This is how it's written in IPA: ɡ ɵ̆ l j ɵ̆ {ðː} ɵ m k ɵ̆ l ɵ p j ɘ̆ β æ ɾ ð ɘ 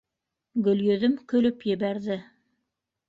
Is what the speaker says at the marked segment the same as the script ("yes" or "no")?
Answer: no